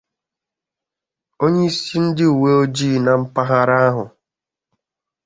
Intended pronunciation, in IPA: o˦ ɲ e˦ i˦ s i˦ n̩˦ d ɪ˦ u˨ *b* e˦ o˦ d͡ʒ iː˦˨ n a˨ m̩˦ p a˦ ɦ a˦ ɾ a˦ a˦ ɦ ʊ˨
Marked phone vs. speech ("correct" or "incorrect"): incorrect